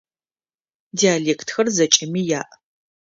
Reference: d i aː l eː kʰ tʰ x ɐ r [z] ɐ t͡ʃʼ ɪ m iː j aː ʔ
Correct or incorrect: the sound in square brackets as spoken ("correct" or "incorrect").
correct